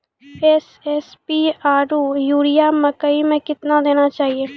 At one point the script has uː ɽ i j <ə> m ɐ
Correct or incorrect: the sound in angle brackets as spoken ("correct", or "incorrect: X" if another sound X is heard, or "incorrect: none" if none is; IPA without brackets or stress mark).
incorrect: a